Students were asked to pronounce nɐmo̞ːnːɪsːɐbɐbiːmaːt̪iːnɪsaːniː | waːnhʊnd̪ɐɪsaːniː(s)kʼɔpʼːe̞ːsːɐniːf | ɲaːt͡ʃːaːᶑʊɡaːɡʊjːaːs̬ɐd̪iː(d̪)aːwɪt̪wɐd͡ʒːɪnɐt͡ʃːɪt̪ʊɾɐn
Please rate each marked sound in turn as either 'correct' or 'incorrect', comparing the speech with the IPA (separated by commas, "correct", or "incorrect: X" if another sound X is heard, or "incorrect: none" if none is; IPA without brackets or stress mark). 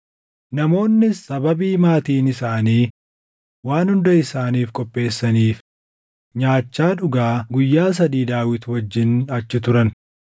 incorrect: f, correct